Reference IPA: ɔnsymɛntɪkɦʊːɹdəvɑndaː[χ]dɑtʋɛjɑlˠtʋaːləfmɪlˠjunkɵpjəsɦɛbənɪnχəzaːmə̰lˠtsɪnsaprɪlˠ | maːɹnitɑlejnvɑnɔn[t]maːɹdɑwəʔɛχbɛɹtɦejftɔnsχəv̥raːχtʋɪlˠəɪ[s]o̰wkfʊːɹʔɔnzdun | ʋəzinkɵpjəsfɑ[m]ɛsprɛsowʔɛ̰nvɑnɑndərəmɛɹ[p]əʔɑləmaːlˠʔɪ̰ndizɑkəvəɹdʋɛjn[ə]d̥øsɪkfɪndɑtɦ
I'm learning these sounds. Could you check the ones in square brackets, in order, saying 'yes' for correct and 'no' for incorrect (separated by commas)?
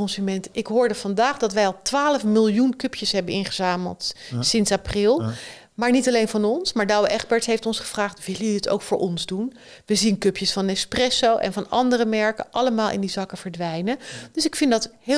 yes, no, no, no, no, yes